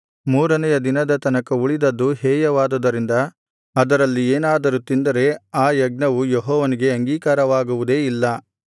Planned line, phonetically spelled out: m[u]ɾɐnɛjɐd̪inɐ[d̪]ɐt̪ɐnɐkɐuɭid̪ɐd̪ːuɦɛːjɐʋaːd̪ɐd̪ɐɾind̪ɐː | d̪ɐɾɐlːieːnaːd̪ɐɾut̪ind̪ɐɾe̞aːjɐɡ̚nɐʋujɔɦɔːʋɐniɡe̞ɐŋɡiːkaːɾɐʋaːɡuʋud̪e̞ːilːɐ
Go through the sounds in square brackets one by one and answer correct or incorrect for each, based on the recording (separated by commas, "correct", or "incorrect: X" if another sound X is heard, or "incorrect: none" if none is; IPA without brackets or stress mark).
incorrect: uː, correct